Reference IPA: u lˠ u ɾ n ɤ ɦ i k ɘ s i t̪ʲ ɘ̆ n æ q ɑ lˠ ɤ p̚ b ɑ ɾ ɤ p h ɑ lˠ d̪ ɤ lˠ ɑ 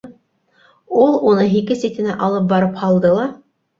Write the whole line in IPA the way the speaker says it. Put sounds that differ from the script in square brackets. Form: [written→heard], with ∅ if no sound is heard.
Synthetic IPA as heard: u lˠ u [ɾ→∅] n ɤ ɦ i k ɘ s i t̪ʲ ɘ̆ n æ [q→ʔ] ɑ lˠ ɤ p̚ b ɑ ɾ ɤ p h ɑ lˠ d̪ ɤ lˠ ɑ